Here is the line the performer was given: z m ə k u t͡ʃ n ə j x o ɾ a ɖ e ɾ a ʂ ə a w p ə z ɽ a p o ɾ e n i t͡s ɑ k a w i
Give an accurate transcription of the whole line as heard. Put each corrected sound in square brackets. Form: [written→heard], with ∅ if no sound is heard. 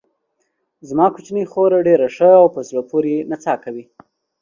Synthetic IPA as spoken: z m [ə→ɑ] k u t͡ʃ n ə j x o ɾ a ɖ e ɾ a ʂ ə a w p ə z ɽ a p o ɾ e n [i→a] t͡s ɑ k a w i

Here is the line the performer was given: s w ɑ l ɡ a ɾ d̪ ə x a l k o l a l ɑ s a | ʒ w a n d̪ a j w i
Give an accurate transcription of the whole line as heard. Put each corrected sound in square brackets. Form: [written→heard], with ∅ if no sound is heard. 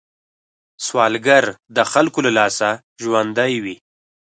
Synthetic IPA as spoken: s w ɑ l ɡ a ɾ d̪ ə x a l k o l a l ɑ s a | ʒ w a n d̪ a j w i

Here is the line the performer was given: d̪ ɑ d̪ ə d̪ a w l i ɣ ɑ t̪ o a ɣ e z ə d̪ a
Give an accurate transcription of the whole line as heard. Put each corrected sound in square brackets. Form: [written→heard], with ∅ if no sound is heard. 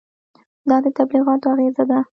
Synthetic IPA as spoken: d̪ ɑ d̪ ə [d̪→t̪] a [w→b] l i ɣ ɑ t̪ o a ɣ e z [ə→a] d̪ a

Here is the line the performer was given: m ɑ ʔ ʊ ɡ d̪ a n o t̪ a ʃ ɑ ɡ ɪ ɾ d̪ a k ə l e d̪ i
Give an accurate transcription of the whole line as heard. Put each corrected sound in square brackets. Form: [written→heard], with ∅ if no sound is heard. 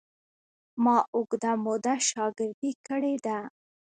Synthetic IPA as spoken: m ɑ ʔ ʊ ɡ d̪ a [n→m] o [t̪→d̪] a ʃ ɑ ɡ ɪ ɾ d̪ [a→i] k ə [l→ɽ] e d̪ [i→a]

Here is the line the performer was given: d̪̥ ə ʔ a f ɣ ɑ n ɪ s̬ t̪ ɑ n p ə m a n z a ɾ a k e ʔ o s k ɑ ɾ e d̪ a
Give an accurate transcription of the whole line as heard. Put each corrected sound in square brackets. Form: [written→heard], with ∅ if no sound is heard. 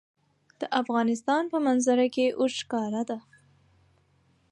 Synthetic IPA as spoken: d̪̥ ə ʔ a f ɣ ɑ n ɪ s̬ t̪ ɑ n p ə m a n z a ɾ a k e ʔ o [s→ʃ] k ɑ ɾ [e→a] d̪ a

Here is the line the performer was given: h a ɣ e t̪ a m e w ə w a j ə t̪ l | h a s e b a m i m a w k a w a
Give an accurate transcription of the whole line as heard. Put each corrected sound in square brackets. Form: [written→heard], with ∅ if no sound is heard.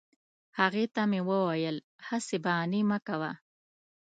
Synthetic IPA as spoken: h a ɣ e t̪ a m e w ə w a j ə [t̪→∅] l | h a s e b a [m→n] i m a [w→∅] k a w a

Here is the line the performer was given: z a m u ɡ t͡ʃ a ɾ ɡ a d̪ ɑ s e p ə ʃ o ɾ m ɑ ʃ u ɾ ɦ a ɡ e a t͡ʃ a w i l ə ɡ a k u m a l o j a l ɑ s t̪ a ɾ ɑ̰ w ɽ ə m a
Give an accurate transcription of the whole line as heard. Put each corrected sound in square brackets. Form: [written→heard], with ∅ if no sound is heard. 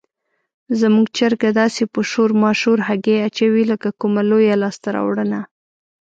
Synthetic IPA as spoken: z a m u ɡ t͡ʃ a ɾ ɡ a d̪ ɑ s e p ə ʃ o ɾ m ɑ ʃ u ɾ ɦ a ɡ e a t͡ʃ a w i l ə [ɡ→k] a k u m a l o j a l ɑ s t̪ a ɾ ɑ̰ w ɽ ə [m→n] a

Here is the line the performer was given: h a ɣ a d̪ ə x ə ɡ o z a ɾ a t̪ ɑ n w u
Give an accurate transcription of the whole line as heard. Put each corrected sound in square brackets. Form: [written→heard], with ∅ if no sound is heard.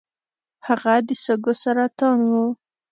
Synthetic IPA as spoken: h a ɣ a d̪ ə [x→s] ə ɡ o [z→s] a ɾ a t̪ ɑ n w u

